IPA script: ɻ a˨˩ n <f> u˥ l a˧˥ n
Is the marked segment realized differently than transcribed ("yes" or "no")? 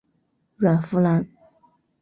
no